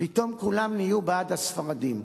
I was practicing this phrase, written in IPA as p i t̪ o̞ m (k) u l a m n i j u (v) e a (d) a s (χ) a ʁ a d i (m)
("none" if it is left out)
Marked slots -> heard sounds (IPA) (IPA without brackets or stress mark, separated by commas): k, b, d, f, m